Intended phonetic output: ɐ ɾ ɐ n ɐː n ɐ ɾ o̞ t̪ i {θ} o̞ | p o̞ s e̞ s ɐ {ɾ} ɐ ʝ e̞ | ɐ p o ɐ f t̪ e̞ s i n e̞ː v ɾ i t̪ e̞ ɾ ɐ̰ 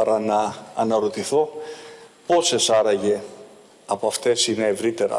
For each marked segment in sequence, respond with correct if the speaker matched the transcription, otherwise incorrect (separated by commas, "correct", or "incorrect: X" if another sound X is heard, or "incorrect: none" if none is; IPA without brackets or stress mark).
correct, correct